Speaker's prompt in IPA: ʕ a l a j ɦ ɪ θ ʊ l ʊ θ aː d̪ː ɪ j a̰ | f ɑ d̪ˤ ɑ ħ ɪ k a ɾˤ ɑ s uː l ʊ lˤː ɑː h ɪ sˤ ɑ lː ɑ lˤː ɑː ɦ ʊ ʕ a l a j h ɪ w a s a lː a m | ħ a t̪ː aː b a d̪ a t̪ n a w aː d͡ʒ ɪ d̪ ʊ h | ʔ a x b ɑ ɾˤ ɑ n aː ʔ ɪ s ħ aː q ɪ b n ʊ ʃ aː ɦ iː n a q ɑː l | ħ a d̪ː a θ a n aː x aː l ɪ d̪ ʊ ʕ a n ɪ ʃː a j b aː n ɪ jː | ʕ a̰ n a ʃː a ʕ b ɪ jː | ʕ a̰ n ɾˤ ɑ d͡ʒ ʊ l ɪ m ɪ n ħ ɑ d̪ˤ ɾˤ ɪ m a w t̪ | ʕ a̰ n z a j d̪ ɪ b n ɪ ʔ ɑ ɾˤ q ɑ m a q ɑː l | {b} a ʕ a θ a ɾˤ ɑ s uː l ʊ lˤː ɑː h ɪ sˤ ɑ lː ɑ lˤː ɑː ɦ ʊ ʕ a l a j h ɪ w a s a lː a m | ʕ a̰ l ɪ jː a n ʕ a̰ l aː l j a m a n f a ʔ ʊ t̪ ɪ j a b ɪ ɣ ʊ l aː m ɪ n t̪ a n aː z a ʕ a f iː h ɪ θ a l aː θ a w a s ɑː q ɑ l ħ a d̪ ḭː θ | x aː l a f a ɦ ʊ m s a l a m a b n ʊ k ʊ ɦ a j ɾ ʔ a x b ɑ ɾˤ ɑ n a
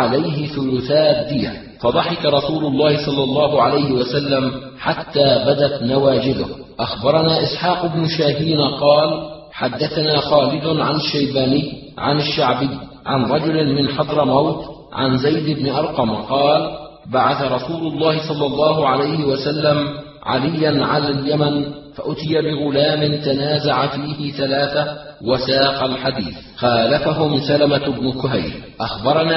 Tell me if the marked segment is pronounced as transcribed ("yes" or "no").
yes